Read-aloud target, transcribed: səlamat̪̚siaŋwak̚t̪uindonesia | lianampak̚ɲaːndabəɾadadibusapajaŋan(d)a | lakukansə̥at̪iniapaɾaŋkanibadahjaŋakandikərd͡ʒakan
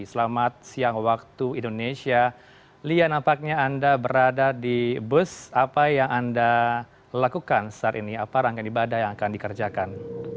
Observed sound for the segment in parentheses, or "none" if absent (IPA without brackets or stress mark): d